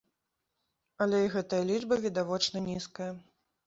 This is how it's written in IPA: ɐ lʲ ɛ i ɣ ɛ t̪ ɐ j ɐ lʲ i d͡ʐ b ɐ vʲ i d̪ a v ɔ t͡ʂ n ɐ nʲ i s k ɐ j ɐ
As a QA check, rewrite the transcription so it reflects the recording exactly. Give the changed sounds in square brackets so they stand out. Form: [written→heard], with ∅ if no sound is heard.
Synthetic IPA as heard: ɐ lʲ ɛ i ɣ ɛ t̪ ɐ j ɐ lʲ i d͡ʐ b ɐ vʲ i d̪ a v ɔ t͡ʂ n ɐ nʲ i s k ɐ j ɐ